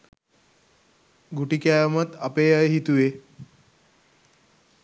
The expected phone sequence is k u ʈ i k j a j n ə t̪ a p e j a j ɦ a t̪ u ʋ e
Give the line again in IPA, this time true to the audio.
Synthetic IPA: ɡ u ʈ i k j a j m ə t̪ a p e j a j ɦ i t̪ u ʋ e